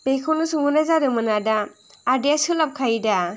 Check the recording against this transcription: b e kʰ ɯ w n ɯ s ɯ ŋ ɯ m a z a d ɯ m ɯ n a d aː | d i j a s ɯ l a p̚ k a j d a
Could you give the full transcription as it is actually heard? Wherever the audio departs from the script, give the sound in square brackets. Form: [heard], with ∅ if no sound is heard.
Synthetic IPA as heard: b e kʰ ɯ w n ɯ s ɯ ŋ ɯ [n] a z a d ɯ m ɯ n a d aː | d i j a s ɯ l a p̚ [kʰ] a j d a